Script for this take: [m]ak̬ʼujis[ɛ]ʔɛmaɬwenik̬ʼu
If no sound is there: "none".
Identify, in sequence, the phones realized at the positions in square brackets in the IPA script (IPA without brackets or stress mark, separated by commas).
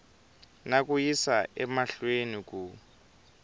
n, a